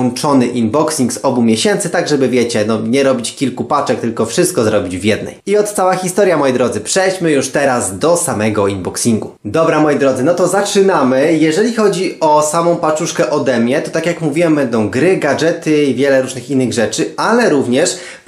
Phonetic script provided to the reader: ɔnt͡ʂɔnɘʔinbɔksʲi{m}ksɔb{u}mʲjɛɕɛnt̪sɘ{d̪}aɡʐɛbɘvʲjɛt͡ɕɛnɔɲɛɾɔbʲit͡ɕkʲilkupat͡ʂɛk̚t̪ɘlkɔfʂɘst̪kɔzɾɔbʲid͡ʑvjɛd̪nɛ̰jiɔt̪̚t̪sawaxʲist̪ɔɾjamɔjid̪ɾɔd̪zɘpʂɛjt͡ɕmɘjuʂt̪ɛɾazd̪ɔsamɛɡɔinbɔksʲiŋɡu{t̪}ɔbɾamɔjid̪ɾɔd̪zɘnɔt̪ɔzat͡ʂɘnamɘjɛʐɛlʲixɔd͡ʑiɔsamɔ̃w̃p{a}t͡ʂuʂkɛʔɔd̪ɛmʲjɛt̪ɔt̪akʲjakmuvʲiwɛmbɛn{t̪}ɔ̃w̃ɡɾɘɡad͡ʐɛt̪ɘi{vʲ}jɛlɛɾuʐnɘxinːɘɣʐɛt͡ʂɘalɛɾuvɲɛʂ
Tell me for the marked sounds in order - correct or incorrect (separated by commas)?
incorrect, correct, incorrect, incorrect, correct, incorrect, correct